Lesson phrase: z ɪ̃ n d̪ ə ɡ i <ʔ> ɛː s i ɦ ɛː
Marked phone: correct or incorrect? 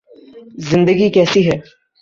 incorrect